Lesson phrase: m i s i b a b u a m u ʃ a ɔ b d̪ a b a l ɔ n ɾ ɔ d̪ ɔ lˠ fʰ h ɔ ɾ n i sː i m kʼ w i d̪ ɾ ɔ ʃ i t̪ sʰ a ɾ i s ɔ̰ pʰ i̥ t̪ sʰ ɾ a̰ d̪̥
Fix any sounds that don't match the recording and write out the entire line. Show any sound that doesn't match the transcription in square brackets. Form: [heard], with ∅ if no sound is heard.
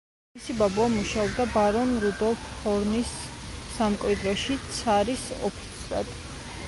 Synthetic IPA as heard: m i s i b a b u a m u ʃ a ɔ b d̪ a b a [ɾ] ɔ n ɾ [u] d̪ ɔ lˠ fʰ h ɔ ɾ n i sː [a] m kʼ w i d̪ ɾ ɔ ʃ i t̪ sʰ a ɾ i s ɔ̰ pʰ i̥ t̪ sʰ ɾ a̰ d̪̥

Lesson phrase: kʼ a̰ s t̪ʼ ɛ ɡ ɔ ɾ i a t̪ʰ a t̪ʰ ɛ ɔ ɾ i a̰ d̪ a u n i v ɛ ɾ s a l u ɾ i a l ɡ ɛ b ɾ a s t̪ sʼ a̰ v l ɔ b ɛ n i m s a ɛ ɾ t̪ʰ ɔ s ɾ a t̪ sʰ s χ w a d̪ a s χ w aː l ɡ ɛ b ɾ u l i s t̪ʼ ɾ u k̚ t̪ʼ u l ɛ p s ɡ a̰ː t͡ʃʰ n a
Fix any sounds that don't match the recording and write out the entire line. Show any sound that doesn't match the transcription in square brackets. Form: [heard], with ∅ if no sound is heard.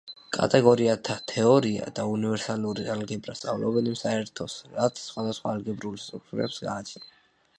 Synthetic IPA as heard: kʼ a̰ [∅] t̪ʼ ɛ ɡ ɔ ɾ i a t̪ʰ a t̪ʰ ɛ ɔ ɾ i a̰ d̪ a u n i v ɛ ɾ s a l u ɾ i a l ɡ ɛ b ɾ a s t̪ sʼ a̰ v l ɔ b ɛ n i m s a ɛ ɾ t̪ʰ ɔ s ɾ a t̪ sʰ s χ w a d̪ a s χ w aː l ɡ ɛ b ɾ u l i s t̪ʼ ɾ u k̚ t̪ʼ u [ɾ] ɛ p s ɡ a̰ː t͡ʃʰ n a

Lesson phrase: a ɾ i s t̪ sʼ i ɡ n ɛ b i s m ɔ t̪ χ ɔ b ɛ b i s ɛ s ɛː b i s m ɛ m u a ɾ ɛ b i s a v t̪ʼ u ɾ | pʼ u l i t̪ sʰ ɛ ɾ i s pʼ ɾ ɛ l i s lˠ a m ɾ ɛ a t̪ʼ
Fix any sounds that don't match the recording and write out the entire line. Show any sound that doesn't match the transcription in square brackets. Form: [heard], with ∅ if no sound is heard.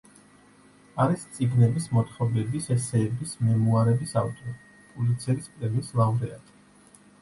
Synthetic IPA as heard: a ɾ i s t̪ sʼ i ɡ n ɛ b i s m ɔ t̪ χ ɔ b ɛ b i s ɛ s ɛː b i s m ɛ m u a ɾ ɛ b i s a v t̪ʼ [ɔ] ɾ | pʼ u l i t̪ sʰ ɛ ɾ i s pʼ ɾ ɛ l i s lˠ a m ɾ ɛ a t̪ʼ

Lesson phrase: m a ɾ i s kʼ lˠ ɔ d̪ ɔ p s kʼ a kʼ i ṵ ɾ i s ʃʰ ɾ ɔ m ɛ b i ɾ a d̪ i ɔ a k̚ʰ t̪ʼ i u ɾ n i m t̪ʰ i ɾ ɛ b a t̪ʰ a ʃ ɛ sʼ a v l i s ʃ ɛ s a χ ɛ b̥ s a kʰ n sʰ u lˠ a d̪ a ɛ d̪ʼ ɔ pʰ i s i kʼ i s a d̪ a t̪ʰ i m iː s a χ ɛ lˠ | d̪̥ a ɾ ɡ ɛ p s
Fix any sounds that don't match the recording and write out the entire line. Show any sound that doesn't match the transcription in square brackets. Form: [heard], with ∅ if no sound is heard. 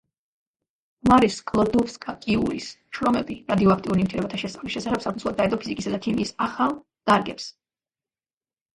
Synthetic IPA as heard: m a ɾ i s kʼ lˠ ɔ d̪ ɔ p s kʼ a kʼ i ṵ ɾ i s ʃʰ ɾ ɔ m ɛ b i ɾ a d̪ i ɔ a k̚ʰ t̪ʼ i u ɾ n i m t̪ʰ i ɾ ɛ b a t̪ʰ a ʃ ɛ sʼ a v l i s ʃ ɛ s a χ ɛ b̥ s a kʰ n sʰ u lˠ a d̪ a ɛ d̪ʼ ɔ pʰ i [z] i kʼ i s a d̪ a t̪ʰ i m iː s a χ [a] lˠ | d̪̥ a ɾ ɡ ɛ p s

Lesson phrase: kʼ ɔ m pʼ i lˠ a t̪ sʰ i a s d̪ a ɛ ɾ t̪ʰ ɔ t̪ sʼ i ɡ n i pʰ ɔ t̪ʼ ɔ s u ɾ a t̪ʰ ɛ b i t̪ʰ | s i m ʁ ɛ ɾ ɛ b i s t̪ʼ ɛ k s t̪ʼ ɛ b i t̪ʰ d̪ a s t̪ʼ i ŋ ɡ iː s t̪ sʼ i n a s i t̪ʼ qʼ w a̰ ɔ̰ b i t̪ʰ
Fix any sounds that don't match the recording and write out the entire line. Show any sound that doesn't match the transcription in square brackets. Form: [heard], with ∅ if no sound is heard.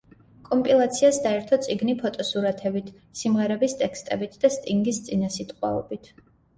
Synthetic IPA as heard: kʼ ɔ m pʼ i lˠ a t̪ sʰ i a s d̪ a ɛ ɾ t̪ʰ ɔ t̪ sʼ i ɡ n i pʰ ɔ t̪ʼ ɔ s u ɾ a t̪ʰ ɛ b i t̪ʰ | s i m ʁ ɛ ɾ ɛ b i s t̪ʼ ɛ k s t̪ʼ ɛ b i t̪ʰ d̪ a s t̪ʼ i ŋ ɡ [i] s t̪ sʼ i n a s i t̪ʼ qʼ w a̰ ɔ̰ b i t̪ʰ

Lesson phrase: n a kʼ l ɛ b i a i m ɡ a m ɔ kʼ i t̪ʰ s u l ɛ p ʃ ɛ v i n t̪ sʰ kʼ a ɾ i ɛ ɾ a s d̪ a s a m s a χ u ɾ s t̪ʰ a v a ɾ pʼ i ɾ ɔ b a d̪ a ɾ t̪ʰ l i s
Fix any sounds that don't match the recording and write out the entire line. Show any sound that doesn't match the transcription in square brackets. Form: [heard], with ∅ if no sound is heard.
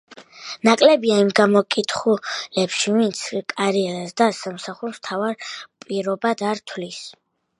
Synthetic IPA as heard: n a kʼ l ɛ b i a i m ɡ a m ɔ kʼ i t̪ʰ [χ] u l ɛ p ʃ [i] v i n t̪ sʰ kʼ a ɾ i ɛ ɾ a s d̪ a s a m s a χ u ɾ s t̪ʰ a v a ɾ pʼ i ɾ ɔ b a d̪ a ɾ t̪ʰ l i s

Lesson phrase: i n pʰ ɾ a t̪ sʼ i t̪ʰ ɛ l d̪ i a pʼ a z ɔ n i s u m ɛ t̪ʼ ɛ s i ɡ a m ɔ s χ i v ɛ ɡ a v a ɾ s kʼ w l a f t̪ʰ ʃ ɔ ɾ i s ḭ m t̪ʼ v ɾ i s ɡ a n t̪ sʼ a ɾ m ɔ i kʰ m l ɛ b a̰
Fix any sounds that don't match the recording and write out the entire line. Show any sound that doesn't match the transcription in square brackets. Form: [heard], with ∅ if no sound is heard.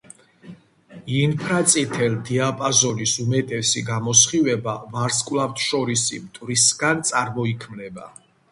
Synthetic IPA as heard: i n pʰ ɾ a t̪ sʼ i t̪ʰ ɛ l d̪ i a pʼ a z ɔ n i s u m ɛ t̪ʼ ɛ s i ɡ a m ɔ s χ i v ɛ [b] a v a ɾ s kʼ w l a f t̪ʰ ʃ ɔ ɾ i s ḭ m t̪ʼ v ɾ i s ɡ a n t̪ sʼ a ɾ m ɔ i kʰ m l ɛ b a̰

